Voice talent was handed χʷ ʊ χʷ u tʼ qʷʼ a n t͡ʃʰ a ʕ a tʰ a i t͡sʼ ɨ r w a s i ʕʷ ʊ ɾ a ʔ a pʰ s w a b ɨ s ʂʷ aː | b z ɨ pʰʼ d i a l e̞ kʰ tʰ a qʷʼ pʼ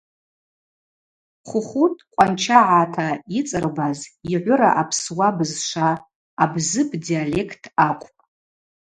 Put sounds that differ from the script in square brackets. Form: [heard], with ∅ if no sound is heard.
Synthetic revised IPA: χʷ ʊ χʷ u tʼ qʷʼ a n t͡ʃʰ a ʕ a tʰ a i t͡sʼ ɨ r [b] a [z] i ʕʷ ʊ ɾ a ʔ a pʰ s w a b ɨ [z] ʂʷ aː | b z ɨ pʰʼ d i a l e̞ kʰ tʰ a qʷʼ pʼ